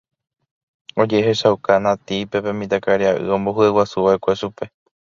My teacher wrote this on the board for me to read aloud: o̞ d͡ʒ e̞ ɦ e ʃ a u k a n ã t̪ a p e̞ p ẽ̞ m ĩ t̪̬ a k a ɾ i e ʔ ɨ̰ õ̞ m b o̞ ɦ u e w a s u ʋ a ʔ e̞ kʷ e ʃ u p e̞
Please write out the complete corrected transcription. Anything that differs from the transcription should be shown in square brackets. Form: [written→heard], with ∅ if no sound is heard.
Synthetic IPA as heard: o̞ d͡ʒ e̞ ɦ e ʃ a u k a n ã t̪ [a→i] p e̞ p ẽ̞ m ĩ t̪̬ a k a ɾ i [e→a] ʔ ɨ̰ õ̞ m b o̞ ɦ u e w a s u ʋ a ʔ e̞ kʷ e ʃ u p e̞